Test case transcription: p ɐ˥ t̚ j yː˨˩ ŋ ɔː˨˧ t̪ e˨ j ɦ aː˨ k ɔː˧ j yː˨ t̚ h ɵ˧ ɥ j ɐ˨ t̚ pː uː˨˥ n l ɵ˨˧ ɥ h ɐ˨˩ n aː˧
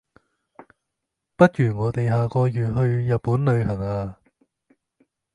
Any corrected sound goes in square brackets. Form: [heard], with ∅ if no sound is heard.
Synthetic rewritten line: p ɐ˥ t̚ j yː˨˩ ŋ ɔː˨˧ t̪ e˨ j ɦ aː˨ k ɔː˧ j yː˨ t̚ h ɵ˧ ɥ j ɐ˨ t̚ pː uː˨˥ n l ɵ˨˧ ɥ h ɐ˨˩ [ŋ] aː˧